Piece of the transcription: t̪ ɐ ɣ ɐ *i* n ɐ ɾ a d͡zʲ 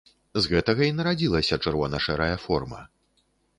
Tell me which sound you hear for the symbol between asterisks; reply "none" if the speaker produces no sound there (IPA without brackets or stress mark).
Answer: i